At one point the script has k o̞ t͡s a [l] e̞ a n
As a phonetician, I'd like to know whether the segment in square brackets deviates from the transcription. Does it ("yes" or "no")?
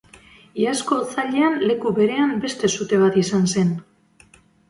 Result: yes